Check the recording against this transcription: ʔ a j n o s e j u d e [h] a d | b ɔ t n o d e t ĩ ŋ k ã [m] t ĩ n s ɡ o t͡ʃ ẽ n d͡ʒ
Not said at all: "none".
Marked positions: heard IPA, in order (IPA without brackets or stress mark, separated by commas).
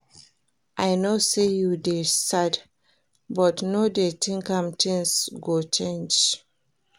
s, m